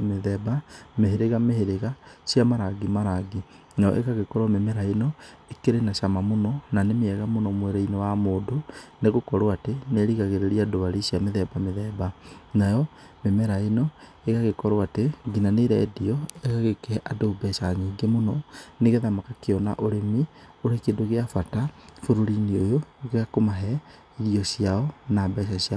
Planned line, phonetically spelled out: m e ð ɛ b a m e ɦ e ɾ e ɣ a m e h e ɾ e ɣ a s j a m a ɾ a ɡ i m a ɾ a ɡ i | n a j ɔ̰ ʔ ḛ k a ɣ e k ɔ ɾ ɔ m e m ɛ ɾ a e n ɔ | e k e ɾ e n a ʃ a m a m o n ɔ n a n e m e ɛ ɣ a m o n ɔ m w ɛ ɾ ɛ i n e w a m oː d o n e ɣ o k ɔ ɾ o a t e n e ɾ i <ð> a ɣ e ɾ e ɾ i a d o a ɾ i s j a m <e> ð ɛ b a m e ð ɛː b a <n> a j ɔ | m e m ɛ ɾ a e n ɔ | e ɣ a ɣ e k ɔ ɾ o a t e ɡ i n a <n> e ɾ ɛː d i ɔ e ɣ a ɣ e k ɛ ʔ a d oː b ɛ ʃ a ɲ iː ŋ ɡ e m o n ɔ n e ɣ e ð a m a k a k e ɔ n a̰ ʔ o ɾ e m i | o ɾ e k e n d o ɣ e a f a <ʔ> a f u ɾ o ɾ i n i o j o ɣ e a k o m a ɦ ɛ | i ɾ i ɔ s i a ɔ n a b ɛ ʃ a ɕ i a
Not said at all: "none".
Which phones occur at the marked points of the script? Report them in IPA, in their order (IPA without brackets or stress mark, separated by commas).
ɣ, e, n, n, t